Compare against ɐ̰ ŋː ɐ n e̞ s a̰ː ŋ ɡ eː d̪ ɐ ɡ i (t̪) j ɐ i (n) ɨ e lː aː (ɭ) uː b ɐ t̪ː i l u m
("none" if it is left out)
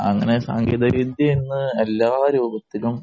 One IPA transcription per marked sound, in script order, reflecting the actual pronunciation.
d̪, nː, ɾ

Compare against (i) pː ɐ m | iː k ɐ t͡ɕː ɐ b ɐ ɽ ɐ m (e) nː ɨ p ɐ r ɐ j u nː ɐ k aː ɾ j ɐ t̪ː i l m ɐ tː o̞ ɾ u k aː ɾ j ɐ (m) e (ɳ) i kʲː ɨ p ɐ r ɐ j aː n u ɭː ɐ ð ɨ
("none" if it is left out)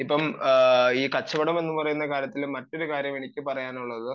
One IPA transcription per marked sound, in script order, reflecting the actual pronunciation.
i, e, m, ɳ

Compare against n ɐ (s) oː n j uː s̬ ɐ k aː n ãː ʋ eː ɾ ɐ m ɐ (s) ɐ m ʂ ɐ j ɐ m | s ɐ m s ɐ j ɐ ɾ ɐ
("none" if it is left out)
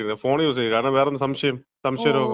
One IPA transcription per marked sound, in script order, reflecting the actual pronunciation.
f, s

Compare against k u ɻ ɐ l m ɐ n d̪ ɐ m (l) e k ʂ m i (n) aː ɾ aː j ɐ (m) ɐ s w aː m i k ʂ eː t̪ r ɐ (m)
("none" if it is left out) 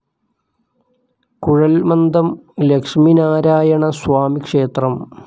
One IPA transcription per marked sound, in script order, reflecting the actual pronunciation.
l, n, ɳ, m

